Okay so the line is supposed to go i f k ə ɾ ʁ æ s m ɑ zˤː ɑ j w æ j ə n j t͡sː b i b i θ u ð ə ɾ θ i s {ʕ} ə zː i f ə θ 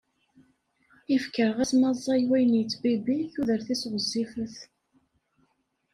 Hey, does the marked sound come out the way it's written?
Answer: no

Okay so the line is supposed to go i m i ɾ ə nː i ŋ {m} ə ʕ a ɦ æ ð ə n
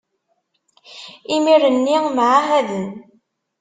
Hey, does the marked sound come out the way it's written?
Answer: yes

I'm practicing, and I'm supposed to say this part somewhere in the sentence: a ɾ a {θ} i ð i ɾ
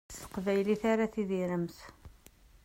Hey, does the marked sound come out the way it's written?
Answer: yes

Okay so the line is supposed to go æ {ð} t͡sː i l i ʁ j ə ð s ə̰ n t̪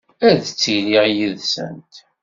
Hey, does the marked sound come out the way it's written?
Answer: yes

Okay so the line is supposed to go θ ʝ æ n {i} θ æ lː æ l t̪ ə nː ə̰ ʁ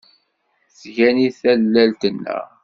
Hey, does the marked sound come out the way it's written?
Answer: yes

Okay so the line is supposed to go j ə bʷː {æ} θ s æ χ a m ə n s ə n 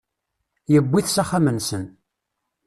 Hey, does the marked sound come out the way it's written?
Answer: no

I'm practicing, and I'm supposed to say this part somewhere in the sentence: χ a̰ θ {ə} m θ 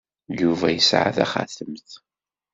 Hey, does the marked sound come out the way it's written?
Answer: yes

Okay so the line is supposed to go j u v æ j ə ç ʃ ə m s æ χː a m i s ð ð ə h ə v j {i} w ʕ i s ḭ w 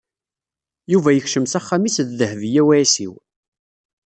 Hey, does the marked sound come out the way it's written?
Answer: no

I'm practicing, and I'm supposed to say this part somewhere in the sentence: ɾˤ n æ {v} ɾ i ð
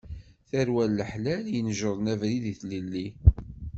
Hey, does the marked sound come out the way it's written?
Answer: yes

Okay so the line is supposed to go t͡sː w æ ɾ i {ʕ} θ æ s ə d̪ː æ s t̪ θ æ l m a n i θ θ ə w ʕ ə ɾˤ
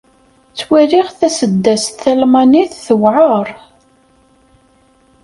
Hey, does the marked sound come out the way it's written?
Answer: no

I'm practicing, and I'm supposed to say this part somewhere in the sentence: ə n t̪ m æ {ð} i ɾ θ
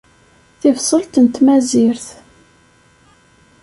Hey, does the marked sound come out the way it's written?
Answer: no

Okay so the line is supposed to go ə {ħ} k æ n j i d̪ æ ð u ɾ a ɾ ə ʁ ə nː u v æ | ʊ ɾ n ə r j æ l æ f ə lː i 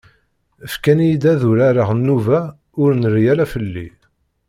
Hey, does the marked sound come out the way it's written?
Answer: no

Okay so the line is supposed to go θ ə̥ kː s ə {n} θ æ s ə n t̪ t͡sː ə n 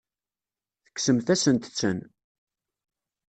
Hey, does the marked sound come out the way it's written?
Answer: no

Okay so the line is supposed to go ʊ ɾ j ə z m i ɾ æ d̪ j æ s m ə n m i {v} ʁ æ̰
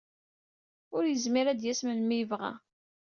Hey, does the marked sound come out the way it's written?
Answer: yes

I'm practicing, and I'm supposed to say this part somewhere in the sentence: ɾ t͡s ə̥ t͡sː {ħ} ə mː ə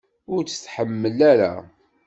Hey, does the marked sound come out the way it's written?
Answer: yes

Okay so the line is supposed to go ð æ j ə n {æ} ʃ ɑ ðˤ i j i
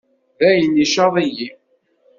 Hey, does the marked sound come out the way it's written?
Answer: no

